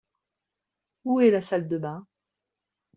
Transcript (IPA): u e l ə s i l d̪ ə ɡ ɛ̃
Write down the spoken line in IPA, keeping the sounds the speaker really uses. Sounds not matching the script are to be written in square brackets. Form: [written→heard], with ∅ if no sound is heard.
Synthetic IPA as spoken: u [e→ɛ] l [ə→a] s [i→a] l d̪ ə [ɡ→b] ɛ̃